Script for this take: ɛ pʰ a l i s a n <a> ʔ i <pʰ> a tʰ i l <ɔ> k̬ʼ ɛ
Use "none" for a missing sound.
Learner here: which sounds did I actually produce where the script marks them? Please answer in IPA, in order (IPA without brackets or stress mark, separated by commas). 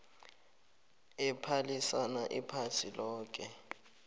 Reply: a, pʰ, ɔː